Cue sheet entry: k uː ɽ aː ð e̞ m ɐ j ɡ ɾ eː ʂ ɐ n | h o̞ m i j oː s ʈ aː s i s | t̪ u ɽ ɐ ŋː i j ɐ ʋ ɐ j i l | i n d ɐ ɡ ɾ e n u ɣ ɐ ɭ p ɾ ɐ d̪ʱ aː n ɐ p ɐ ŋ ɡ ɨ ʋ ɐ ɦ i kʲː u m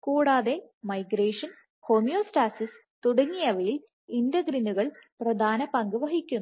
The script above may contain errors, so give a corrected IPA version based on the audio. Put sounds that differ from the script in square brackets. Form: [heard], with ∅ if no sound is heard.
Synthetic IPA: k uː ɽ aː ð e̞ m ɐ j ɡ ɾ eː ʂ ɐ n | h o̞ m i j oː s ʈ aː s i s | t̪ u ɽ ɐ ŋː i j ɐ ʋ ɐ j i l | i n d ɐ ɡ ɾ [i] n u ɣ ɐ ɭ p [r] ɐ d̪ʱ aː n ɐ p ɐ ŋ ɡ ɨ ʋ ɐ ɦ i kʲː u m